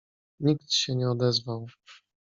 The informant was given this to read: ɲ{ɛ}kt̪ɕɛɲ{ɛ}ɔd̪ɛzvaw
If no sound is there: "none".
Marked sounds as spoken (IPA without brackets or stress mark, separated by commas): i, ɛ